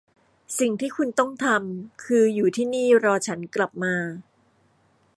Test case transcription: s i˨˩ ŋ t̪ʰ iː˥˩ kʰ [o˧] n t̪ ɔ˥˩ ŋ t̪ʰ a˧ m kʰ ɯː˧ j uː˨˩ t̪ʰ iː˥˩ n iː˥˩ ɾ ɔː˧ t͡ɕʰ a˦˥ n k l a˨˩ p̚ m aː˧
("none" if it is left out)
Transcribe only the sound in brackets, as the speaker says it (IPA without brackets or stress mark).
u˧